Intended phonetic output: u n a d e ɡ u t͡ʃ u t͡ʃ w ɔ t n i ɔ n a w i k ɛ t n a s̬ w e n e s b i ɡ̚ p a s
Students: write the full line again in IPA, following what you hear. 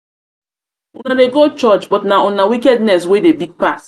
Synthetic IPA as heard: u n a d e ɡ o t͡ʃ ɔ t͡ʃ b ɔ t n a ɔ n a w i k ɛ d n ɛ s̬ w e d e b i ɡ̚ p a s